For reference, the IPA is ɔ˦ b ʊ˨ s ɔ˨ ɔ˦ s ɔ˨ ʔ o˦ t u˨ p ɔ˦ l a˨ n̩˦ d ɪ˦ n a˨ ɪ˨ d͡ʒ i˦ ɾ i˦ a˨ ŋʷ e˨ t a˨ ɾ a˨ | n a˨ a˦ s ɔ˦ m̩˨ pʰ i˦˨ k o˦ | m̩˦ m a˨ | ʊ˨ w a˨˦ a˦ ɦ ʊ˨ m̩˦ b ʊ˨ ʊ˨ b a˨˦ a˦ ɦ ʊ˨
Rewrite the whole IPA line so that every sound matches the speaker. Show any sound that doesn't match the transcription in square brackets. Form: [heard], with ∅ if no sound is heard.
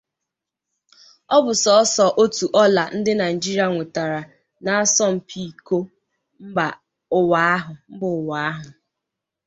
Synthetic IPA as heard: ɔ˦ b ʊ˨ s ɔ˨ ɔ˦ s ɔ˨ ʔ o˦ t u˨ [ʔ] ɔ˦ l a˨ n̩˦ d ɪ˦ n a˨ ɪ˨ d͡ʒ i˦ ɾ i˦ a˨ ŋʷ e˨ t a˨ ɾ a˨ | n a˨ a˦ s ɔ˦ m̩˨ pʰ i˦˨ k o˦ | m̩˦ [b] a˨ | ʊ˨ w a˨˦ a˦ ɦ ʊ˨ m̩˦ b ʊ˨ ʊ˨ [w] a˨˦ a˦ ɦ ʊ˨